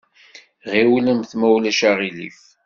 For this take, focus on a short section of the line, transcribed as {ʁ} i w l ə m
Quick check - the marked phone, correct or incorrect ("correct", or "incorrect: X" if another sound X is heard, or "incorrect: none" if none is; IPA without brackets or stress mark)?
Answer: correct